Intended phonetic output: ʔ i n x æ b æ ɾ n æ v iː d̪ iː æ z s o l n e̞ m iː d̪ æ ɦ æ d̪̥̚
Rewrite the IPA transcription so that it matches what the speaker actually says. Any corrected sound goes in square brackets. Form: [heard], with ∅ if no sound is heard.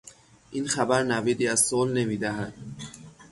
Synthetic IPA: ʔ i n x æ b æ ɾ n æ v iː d̪ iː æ z s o l n e̞ m iː d̪ æ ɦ æ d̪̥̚